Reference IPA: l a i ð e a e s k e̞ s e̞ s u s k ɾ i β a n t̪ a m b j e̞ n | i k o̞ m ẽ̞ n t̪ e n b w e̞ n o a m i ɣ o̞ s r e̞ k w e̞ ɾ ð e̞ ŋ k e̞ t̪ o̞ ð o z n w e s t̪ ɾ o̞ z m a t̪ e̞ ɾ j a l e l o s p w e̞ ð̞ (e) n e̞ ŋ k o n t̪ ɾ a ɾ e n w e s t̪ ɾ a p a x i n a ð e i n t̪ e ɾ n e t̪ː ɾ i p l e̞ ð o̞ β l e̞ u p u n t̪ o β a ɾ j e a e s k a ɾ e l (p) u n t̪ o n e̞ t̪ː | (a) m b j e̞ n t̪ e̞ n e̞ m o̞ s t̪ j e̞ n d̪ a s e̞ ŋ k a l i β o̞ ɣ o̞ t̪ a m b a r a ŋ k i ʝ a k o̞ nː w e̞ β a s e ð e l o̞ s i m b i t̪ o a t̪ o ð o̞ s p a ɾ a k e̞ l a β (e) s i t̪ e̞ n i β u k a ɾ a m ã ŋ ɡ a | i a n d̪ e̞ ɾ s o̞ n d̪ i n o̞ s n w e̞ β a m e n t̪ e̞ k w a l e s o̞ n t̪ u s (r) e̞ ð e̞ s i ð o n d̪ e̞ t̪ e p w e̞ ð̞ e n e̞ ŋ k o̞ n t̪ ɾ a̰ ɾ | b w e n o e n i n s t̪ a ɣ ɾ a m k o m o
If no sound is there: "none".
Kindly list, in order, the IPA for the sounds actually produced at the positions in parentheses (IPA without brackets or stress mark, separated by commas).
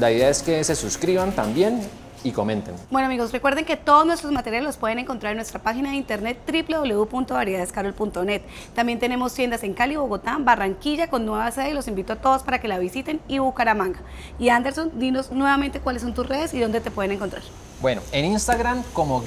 e, p, a, i, r